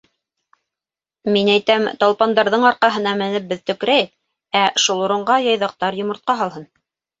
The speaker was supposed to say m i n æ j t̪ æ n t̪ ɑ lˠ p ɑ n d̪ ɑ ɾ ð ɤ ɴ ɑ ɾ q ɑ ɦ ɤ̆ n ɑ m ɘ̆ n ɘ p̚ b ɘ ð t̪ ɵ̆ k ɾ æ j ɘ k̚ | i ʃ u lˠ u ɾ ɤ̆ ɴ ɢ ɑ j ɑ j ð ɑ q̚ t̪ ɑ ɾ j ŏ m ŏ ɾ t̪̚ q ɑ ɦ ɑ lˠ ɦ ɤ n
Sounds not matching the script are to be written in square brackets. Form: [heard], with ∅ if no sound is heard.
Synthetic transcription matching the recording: m i n æ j t̪ æ [m] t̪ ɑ lˠ p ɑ n d̪ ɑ ɾ ð ɤ ɴ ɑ ɾ q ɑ ɦ ɤ̆ n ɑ m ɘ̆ n ɘ p̚ b ɘ ð t̪ ɵ̆ k ɾ æ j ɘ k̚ | [æ] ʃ u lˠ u ɾ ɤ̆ ɴ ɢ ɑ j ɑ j ð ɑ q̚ t̪ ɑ ɾ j ŏ m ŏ ɾ t̪̚ q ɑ ɦ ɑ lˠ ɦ ɤ n